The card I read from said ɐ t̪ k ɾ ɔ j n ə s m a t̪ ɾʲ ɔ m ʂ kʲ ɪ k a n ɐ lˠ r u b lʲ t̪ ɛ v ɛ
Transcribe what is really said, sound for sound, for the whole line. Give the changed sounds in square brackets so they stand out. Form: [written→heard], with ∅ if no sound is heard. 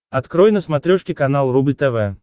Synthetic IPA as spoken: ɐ t̪ k ɾ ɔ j n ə s m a t̪ ɾʲ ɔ [m→∅] ʂ kʲ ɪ k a n [ɐ→a] lˠ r u b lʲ t̪ ɛ v ɛ